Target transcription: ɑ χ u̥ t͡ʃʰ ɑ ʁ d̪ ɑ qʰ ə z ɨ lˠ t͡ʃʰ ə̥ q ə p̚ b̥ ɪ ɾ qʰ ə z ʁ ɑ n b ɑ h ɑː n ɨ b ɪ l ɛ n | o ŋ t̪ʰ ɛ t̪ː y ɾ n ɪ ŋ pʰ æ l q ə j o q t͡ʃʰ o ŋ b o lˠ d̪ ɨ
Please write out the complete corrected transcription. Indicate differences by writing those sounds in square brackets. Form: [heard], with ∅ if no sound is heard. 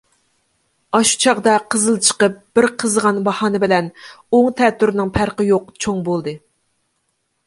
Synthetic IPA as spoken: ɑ [ʃ] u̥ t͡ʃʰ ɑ ʁ d̪ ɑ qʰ ə z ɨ lˠ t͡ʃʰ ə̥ q ə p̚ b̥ ɪ ɾ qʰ ə z ʁ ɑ n b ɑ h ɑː n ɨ b ɪ l ɛ n | o ŋ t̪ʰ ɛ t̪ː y ɾ n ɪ ŋ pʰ æ [ɾ] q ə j o q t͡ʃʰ o ŋ b o lˠ d̪ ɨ